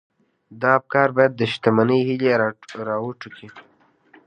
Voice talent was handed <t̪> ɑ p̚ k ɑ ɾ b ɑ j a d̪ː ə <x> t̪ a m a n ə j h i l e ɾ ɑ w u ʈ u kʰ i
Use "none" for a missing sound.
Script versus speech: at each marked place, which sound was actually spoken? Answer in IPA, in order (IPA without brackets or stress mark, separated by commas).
d̪, ʃ